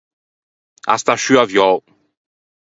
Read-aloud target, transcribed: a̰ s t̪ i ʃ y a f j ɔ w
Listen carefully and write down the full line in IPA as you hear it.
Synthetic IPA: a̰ s t̪ a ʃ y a v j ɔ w